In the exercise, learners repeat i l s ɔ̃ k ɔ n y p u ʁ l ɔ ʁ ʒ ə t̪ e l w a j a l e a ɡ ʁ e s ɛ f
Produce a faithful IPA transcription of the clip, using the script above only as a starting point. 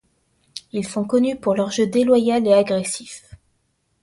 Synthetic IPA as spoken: i l s ɔ̃ k ɔ n y p u ʁ l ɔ ʁ ʒ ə d̪ e l w a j a l e a ɡ ʁ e s i f